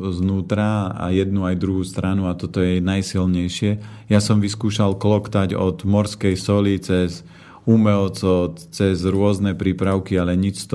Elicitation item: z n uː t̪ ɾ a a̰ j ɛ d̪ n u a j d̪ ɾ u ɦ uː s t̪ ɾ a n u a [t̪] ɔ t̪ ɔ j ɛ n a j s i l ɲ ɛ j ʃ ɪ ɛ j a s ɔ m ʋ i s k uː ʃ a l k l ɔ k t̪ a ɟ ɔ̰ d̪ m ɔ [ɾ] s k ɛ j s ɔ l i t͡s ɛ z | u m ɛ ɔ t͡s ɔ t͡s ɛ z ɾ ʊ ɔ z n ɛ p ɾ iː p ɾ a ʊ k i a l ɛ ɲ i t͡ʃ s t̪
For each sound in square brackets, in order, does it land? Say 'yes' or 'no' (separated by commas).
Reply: yes, yes